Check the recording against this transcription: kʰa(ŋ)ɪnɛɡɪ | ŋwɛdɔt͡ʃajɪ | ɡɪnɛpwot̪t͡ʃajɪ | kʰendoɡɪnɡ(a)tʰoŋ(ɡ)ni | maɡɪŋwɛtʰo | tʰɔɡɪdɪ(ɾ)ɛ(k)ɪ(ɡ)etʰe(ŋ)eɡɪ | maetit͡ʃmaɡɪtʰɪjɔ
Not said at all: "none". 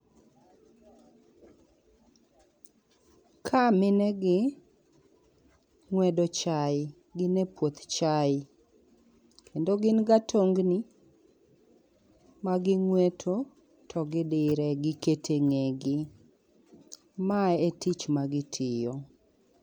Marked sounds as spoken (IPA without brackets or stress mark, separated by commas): m, a, ɡ, ɾ, ɡ, k, ŋ